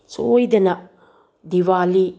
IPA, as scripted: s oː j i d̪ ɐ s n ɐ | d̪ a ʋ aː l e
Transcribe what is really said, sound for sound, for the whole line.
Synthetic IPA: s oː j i d̪ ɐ n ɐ | d̪ i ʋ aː l i

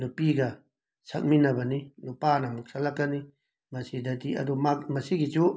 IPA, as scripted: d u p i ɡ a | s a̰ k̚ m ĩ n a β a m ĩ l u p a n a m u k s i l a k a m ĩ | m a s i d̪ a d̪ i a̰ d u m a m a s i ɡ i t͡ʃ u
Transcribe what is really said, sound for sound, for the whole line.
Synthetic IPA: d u p i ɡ a | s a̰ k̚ m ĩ n a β a n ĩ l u p a n a m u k s a l a k a n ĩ | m a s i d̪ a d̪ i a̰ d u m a m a s i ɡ i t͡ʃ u

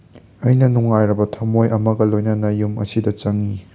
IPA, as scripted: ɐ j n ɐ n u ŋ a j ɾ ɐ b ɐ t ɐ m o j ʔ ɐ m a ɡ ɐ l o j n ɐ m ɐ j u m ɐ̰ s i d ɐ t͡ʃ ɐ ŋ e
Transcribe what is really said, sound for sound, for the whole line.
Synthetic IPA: ɐ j n ɐ n u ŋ a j ɾ ɐ b ɐ tʰ ɐ m o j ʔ ɐ m ɐ ɡ ɐ l o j n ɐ n ɐ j u m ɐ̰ s i d ɐ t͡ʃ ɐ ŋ i

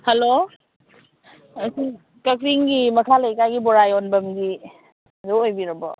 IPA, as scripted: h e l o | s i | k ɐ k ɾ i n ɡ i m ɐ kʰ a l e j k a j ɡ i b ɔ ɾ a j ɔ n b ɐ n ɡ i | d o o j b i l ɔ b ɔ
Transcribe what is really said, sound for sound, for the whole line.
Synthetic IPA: h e l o | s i | k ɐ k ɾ i ŋ ɡ i m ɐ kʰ a l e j k a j ɡ i b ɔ ɾ a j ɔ n b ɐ m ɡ i | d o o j b i ɾ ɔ b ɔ

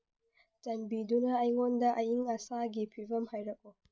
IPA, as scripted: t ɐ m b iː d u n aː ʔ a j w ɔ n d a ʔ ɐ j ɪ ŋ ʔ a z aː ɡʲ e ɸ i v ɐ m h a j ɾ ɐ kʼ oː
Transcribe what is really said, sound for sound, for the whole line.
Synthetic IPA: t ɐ m b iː d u n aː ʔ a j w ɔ n d a ʔ a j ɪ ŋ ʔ a s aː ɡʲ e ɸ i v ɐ m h a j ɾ ɐ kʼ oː

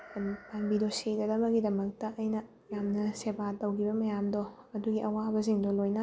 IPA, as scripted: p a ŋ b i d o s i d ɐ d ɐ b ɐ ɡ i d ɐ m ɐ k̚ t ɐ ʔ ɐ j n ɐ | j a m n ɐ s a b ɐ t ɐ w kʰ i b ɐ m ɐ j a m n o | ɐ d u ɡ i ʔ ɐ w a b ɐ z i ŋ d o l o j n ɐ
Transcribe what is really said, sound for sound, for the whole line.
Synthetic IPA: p a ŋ b i d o s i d ɐ d ɐ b ɐ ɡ i d ɐ m ɐ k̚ t ɐ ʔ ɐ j n ɐ | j a m n ɐ s e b a t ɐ w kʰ i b ɐ m ɐ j a m d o | ɐ d u ɡ i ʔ ɐ w a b ɐ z i ŋ d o l o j n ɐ

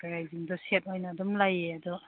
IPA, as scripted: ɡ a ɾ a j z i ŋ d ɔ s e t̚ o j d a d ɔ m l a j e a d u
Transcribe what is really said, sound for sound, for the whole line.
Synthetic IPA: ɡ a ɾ a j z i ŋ d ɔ s e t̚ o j n a d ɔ m l a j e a d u

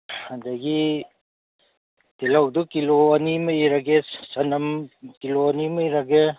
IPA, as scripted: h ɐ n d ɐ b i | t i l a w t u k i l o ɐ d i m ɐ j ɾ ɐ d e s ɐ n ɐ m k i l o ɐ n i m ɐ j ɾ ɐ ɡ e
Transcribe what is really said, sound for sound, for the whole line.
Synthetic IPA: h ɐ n d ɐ ɡ i | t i l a w d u k i l o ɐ n i m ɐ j ɾ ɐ ɡ e s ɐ n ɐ m k i l o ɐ n i m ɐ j ɾ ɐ ɡ e

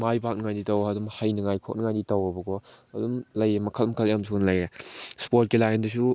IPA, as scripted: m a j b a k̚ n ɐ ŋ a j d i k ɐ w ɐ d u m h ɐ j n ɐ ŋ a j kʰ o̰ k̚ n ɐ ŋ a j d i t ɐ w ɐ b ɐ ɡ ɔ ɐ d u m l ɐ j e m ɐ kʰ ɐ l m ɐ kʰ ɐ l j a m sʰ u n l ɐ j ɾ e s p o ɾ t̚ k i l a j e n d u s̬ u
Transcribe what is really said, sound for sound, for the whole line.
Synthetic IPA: m a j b a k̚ n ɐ ŋ a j d i t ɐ w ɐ d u m h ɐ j n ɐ ŋ a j kʰ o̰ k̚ n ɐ ŋ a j d i t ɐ w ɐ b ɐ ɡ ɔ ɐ d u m l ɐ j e m ɐ kʰ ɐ l m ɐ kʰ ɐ l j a m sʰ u n l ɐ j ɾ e s p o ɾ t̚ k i l a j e n d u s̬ u

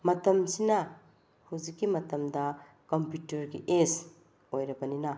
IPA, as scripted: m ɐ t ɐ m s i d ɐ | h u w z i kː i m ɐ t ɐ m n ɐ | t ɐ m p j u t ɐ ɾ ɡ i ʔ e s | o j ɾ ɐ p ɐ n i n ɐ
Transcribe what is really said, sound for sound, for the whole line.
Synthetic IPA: m ɐ t ɐ m s i n ɐ | h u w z i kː i m ɐ t ɐ m d ɐ | k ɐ m p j u t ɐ ɾ ɡ i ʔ e s | o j ɾ ɐ b ɐ n i n ɐ

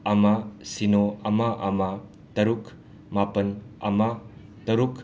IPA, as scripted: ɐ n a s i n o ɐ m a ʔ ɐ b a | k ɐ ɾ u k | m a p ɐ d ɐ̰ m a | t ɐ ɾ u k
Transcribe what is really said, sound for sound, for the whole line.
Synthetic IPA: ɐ m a s i n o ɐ m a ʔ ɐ m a | t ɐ ɾ u k | m a p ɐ n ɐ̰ m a | t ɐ ɾ u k

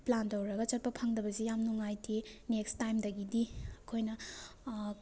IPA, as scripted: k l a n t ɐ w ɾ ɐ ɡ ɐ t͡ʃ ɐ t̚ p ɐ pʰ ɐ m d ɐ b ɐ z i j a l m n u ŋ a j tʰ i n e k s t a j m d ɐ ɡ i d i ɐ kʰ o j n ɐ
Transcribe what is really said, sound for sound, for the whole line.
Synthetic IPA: p l a n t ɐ w ɾ ɐ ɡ ɐ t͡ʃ ɐ t̚ p ɐ pʰ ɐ ŋ d ɐ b ɐ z i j a m n u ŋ a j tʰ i n e k s t a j m d ɐ ɡ i d i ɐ kʰ o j n ɐ

